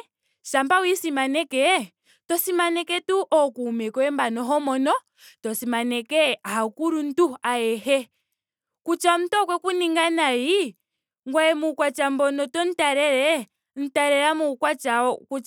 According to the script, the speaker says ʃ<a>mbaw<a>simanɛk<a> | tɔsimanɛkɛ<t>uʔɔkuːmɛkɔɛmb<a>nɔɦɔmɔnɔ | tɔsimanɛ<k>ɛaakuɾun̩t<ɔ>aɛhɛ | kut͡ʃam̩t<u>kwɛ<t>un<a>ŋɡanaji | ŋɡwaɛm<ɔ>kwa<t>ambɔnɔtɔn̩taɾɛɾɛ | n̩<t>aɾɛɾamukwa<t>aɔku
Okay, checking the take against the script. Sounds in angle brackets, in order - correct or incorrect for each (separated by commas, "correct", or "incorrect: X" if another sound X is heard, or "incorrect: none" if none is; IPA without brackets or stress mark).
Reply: correct, incorrect: i, incorrect: ɛ, correct, correct, correct, incorrect: u, incorrect: ɔ, incorrect: k, incorrect: i, incorrect: u, incorrect: t͡ʃ, correct, incorrect: t͡ʃ